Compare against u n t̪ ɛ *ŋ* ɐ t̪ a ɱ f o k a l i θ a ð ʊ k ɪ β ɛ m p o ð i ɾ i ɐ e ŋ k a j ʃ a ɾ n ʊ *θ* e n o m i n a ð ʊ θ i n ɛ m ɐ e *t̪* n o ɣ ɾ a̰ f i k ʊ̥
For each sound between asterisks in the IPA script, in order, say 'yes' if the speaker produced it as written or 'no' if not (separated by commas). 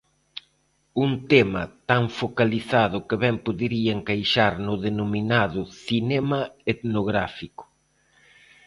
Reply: no, no, yes